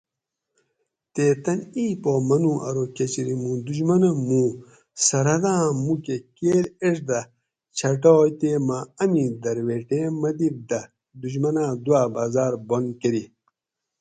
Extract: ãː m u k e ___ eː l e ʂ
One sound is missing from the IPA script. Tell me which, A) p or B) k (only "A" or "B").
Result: B